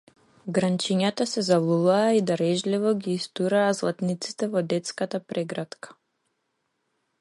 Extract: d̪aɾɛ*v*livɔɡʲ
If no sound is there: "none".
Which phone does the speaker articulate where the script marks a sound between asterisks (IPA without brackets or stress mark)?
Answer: ʒ